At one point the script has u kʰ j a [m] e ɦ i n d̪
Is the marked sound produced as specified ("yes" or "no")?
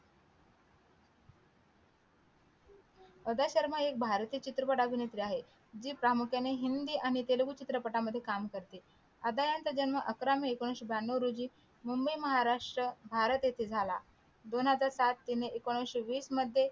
no